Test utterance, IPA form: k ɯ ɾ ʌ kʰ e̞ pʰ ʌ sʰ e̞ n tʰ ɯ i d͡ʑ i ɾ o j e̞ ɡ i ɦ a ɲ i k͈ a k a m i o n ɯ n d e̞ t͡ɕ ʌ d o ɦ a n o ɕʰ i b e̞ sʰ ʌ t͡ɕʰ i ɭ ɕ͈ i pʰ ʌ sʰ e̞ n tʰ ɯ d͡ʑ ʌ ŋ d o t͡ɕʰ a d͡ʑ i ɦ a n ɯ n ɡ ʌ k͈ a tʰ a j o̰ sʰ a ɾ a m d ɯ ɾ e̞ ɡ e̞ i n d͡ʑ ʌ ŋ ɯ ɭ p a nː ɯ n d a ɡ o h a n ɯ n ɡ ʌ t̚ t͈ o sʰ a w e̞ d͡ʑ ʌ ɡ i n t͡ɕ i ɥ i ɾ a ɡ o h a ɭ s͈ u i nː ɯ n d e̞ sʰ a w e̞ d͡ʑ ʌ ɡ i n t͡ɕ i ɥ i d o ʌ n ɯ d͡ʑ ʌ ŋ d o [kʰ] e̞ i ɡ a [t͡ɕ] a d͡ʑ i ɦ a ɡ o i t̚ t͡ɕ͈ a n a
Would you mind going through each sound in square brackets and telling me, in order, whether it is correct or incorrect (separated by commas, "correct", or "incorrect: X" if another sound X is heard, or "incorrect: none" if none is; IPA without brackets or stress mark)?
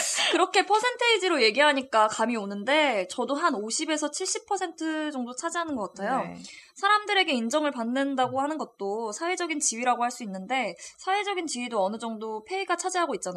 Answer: incorrect: pʰ, incorrect: t͡ɕʰ